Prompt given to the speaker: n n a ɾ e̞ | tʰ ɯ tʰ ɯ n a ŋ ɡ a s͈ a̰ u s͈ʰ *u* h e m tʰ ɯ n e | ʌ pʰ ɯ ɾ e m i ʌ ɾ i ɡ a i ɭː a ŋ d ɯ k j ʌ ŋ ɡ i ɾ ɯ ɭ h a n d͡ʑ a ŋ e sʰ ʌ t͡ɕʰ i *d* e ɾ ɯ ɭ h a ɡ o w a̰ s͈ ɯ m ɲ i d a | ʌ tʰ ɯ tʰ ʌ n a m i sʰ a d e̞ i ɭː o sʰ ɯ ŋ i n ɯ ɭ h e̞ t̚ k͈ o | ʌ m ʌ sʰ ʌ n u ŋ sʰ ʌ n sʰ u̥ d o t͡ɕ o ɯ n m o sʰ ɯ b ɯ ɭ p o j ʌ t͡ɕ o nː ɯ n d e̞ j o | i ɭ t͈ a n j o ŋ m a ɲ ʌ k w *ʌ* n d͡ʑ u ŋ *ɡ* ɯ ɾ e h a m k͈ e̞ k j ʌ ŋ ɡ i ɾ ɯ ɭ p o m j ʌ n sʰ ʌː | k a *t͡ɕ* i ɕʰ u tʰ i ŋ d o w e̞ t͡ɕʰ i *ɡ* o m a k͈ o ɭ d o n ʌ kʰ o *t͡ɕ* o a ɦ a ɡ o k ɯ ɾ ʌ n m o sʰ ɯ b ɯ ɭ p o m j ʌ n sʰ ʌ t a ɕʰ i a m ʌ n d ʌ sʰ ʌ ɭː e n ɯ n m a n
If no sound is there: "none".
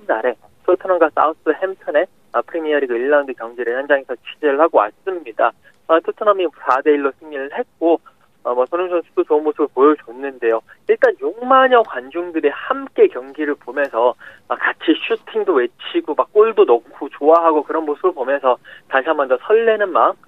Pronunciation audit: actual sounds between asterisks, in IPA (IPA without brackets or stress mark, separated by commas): ɯ, d͡ʑ, a, d, t͡ɕʰ, ɡ, t͡ɕ